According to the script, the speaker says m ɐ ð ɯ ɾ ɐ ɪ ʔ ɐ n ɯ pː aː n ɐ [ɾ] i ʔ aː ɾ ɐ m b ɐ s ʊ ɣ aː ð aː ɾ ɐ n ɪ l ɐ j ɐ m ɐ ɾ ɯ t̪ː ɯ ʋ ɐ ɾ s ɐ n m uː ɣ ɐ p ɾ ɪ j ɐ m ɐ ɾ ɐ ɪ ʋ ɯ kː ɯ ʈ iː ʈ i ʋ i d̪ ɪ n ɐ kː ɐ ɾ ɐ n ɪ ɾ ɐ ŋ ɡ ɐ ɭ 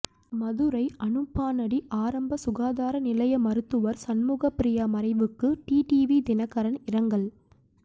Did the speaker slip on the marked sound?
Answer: yes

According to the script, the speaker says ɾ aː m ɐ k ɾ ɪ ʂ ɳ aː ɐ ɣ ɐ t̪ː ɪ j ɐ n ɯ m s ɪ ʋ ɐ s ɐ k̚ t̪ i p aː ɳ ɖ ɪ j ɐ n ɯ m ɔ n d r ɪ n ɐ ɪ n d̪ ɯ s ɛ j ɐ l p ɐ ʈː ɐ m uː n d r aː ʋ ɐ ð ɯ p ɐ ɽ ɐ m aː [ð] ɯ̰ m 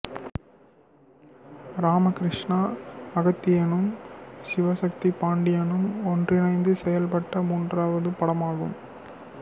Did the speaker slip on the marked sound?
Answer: yes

